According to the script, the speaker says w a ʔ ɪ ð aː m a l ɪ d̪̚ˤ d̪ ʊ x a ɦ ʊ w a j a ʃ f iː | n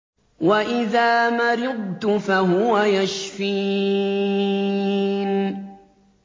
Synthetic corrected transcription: w a ʔ ɪ ð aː m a ɾ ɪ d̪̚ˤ t̪ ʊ f a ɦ ʊ w a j a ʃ f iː | n